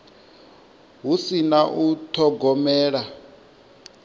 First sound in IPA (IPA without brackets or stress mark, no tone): ɦ